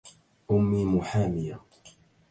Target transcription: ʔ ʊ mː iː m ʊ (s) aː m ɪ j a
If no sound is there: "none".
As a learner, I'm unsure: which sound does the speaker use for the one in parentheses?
ħ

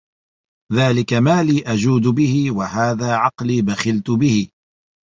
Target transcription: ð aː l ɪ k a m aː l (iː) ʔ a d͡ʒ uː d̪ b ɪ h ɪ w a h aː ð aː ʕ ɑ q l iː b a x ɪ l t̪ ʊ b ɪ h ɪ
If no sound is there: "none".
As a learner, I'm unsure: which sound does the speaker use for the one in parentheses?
iː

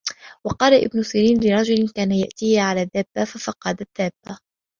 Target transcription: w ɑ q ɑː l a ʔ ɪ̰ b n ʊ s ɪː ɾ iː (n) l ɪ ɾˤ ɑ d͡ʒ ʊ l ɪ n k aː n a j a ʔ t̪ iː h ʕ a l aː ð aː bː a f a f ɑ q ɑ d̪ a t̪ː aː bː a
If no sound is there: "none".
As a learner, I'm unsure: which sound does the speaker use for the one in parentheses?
n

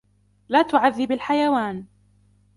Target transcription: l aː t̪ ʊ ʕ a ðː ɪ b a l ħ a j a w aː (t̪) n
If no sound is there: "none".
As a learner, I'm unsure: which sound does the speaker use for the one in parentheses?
none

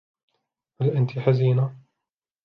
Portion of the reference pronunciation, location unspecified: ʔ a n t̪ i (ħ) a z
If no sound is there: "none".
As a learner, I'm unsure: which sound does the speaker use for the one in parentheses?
ħ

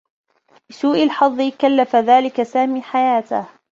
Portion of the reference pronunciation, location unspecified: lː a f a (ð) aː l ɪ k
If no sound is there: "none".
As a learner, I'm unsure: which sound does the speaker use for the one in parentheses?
ð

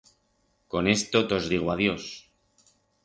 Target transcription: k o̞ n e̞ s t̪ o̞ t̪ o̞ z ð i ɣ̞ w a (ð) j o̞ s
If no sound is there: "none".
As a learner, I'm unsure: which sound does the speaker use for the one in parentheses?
ð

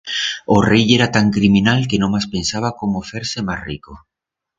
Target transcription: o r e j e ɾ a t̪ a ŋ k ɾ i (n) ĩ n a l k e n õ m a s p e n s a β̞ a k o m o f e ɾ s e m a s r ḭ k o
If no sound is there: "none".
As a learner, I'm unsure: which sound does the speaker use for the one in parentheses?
m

